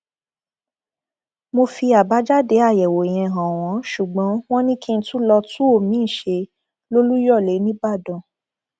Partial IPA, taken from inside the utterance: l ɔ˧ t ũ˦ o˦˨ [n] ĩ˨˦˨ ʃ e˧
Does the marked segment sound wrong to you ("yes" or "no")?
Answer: yes